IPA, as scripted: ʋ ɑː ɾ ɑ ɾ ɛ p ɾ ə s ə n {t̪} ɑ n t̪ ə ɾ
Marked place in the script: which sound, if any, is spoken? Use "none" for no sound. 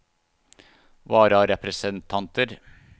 t̪ʰ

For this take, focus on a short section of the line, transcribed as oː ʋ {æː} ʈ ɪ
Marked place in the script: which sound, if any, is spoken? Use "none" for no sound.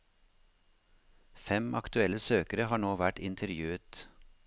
æ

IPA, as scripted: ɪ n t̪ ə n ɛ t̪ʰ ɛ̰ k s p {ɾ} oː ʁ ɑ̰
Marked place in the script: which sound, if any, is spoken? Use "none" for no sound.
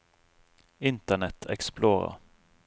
l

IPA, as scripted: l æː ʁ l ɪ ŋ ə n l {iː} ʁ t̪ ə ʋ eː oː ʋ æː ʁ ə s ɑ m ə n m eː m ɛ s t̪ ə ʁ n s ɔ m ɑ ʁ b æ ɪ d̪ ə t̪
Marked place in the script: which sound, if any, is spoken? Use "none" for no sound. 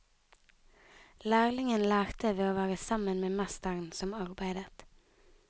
æː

